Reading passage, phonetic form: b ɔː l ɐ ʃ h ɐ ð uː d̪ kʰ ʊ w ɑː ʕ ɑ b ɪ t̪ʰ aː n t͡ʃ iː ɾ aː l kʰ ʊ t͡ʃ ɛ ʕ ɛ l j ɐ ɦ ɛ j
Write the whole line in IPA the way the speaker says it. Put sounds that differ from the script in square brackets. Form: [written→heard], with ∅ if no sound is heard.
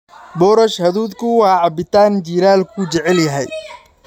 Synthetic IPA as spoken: b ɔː [l→ɾ] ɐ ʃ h ɐ ð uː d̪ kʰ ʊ w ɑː ʕ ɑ b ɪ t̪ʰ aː n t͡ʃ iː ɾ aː l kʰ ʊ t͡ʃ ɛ ʕ ɛ l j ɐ ɦ ɛ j